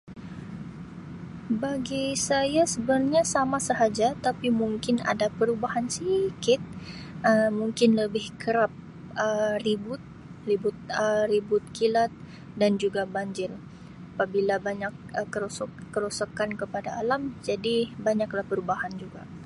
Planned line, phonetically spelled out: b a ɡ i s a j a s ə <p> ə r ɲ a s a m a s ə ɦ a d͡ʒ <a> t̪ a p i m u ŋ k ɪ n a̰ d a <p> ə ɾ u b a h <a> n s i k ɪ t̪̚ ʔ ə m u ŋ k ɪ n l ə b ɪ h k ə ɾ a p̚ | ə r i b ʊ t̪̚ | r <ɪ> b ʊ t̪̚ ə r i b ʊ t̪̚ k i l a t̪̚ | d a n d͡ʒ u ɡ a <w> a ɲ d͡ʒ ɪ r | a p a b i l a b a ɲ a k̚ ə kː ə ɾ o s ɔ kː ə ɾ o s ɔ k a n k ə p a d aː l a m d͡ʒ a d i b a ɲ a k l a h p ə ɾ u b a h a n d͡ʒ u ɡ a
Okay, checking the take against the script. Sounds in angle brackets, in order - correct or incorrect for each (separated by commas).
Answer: incorrect, correct, correct, correct, incorrect, incorrect